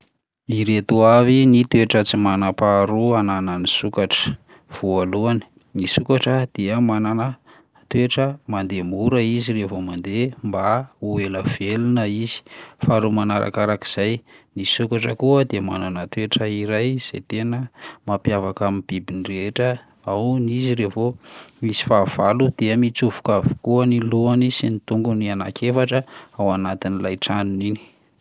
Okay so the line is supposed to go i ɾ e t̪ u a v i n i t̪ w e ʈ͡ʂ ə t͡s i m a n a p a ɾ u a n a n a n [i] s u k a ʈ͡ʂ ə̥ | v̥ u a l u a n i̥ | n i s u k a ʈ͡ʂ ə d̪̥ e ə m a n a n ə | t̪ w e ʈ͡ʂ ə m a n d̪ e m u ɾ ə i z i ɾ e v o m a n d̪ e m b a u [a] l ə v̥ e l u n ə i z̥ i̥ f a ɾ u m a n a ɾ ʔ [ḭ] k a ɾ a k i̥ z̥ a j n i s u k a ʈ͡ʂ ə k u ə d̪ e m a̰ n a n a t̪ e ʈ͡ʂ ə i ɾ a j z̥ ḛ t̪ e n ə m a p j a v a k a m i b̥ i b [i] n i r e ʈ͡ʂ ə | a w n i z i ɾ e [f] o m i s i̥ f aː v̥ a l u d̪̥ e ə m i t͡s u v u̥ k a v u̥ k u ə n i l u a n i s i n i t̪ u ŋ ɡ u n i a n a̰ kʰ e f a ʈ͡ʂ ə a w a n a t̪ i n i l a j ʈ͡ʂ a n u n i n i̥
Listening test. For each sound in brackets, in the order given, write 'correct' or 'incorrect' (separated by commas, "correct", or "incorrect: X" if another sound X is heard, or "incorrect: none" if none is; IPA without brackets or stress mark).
correct, incorrect: e, incorrect: a̰, correct, incorrect: v